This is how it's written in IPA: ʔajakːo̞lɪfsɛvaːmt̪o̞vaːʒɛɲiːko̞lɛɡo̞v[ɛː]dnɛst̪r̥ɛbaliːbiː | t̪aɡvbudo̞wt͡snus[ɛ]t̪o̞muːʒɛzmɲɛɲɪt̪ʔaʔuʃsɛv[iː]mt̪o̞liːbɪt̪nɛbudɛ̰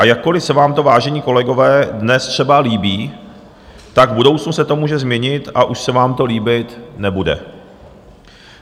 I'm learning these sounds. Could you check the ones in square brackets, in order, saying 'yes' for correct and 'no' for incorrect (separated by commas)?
yes, yes, no